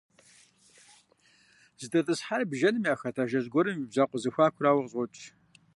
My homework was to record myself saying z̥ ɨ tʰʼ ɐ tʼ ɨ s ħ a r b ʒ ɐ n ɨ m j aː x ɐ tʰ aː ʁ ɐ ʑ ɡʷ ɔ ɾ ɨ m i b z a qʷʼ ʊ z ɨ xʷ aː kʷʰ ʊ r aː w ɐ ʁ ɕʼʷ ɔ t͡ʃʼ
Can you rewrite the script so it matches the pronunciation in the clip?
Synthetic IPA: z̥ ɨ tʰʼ ɐ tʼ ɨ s ħ a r b ʒ ɐ n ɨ m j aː x ɐ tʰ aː ʒ ɐ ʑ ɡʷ ɔ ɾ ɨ m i b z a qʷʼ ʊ z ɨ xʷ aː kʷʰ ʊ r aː w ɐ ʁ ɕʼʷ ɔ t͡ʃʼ